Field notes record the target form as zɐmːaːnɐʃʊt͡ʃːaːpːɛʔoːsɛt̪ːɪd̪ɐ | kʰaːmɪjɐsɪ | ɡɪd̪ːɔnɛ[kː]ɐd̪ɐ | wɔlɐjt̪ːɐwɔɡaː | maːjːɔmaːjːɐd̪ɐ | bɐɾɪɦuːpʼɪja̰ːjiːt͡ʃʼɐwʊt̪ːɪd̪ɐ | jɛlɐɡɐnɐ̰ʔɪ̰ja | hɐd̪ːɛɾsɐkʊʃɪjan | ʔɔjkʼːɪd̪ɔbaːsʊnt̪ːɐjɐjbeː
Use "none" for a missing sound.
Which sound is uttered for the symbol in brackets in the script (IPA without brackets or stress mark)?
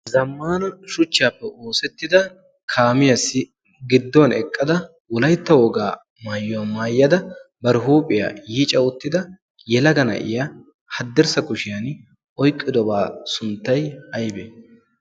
kʼː